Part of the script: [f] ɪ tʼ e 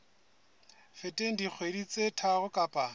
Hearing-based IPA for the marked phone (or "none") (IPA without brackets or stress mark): f